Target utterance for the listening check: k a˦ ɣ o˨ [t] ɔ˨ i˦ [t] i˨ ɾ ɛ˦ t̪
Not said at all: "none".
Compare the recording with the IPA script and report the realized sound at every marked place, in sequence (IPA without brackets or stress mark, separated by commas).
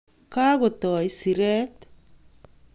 t, s